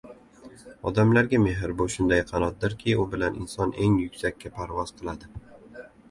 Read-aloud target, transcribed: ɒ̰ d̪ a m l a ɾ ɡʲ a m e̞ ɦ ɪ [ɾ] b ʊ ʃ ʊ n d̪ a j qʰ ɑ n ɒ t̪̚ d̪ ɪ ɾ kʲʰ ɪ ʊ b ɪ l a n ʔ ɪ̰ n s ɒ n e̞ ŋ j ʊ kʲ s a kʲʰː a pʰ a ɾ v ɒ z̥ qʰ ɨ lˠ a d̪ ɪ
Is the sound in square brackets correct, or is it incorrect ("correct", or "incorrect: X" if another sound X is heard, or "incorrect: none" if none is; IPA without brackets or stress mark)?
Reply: correct